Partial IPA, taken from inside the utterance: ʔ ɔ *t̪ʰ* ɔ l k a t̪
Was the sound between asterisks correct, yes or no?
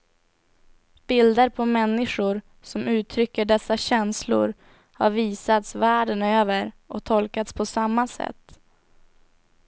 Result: yes